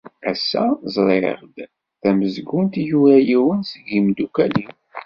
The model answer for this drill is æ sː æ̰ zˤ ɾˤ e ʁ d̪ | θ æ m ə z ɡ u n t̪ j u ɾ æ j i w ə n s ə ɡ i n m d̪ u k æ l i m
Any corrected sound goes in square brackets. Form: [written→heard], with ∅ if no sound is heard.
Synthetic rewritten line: æ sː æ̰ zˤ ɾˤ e ʁ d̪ | θ æ m ə z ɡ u n t̪ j u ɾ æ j i w ə n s ə ɡ i [n→∅] m d̪ u k æ l i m